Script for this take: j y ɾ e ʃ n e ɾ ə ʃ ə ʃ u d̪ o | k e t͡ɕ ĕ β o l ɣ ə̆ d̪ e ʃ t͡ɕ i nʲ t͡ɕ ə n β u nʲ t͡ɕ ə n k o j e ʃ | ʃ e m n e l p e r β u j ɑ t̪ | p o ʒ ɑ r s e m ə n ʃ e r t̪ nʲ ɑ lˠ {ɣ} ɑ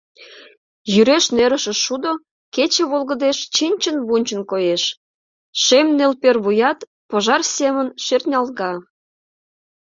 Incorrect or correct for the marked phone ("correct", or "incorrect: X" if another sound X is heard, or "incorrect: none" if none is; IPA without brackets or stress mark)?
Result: correct